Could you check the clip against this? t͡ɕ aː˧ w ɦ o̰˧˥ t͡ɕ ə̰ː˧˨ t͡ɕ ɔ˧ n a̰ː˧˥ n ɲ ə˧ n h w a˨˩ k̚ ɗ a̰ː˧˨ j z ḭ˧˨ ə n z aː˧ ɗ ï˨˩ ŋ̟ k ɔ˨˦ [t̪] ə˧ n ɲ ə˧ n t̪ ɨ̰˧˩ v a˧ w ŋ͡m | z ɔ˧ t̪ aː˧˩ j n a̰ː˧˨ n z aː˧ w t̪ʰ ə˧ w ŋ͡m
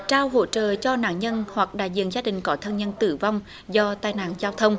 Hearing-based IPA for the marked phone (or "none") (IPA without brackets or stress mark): t̪ʰ